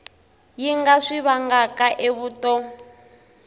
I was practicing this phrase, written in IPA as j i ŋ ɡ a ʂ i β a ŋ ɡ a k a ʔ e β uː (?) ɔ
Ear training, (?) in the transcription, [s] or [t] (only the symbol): t